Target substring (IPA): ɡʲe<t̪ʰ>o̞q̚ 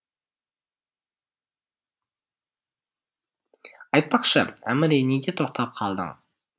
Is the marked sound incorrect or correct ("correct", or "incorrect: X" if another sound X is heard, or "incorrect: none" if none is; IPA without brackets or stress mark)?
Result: correct